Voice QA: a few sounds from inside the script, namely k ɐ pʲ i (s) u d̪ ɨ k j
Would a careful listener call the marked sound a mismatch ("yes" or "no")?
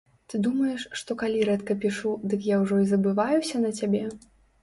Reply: yes